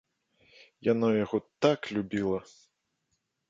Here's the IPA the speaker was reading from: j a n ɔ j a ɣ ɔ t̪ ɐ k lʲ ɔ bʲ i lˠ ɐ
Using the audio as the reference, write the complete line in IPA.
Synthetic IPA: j a n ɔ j a ɣ ɔ t̪ a k lʲ u bʲ i lˠ ɐ